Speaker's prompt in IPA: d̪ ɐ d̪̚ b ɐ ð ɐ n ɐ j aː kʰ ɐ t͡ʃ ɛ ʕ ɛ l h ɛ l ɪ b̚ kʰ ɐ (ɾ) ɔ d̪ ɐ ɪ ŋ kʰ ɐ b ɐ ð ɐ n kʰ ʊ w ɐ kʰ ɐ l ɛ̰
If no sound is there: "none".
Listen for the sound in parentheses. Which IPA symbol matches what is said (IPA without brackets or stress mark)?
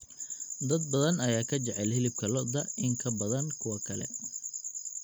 l